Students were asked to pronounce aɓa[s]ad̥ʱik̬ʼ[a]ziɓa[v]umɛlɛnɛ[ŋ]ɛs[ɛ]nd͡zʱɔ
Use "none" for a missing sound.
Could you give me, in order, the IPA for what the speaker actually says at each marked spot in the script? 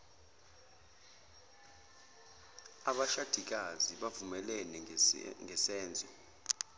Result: ʃ, a, v, ŋ, ɛː

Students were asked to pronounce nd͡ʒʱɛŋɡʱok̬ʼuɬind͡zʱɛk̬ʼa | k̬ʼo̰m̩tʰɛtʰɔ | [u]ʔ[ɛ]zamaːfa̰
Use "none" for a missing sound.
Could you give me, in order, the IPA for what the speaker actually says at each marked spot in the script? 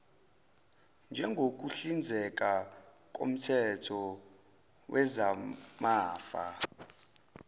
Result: w, ɛ

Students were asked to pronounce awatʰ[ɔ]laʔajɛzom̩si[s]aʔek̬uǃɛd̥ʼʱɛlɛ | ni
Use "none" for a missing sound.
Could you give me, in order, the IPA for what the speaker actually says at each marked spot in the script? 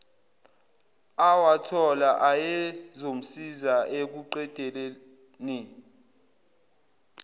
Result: ɔ, z

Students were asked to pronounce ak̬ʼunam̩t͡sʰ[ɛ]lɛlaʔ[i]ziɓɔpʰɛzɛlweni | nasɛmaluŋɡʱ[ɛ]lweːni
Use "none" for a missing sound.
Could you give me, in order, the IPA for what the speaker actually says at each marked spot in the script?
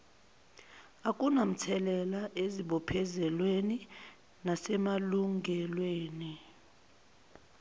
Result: ɛ, e, ɛ

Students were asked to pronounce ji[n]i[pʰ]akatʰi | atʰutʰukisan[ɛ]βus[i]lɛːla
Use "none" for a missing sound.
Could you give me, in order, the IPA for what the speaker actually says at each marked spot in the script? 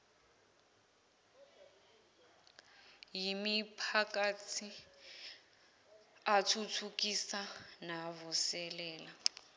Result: m, pʰ, a, ɛ

